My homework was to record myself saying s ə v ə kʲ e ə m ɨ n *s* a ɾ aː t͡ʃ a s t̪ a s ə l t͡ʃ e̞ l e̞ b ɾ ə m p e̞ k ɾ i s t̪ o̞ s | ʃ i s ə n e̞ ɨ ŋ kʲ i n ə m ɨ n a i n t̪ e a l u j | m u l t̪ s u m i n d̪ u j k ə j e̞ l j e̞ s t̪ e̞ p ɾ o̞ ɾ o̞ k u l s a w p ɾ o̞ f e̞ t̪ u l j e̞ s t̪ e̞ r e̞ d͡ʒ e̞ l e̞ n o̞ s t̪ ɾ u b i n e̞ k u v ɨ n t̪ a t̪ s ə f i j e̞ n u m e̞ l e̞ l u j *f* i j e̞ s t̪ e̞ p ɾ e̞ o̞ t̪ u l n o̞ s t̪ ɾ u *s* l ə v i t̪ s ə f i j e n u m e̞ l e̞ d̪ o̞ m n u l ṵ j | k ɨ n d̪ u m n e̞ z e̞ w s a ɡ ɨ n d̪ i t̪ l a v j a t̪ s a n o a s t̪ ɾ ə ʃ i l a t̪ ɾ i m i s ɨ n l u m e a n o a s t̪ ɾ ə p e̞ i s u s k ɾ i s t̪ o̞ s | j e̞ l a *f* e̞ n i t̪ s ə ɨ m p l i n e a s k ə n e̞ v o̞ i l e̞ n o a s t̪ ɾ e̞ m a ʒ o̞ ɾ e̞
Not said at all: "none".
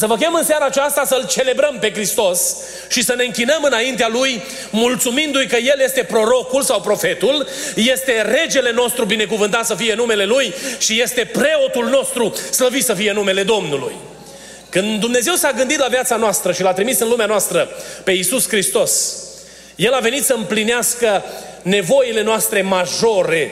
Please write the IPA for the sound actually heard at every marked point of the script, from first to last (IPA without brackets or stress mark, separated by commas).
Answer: s, ʃ, s, v